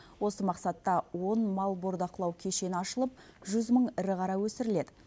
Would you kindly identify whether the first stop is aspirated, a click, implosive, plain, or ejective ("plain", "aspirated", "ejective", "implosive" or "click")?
plain